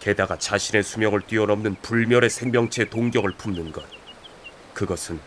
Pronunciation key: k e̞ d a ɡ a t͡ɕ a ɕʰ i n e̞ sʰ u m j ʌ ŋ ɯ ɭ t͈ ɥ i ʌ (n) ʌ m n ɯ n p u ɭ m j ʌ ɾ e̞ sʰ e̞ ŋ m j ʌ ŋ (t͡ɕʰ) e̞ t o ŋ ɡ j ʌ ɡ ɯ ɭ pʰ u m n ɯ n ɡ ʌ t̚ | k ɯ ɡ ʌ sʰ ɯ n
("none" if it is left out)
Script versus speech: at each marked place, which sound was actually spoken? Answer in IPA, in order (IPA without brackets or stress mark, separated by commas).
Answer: n, t͡ɕʰ